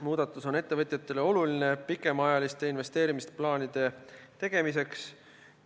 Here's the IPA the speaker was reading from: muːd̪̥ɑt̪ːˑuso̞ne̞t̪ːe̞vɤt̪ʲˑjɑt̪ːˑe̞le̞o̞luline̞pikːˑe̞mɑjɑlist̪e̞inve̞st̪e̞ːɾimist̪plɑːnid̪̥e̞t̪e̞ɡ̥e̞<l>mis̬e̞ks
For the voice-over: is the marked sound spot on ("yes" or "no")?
no